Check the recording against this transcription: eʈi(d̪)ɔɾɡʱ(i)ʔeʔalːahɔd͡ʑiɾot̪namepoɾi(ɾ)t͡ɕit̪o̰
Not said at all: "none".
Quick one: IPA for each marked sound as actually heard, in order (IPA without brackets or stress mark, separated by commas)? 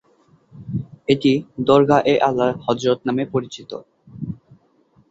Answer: d̪, a, none